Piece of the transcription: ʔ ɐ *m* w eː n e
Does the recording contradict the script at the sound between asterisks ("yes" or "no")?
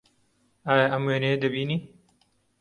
no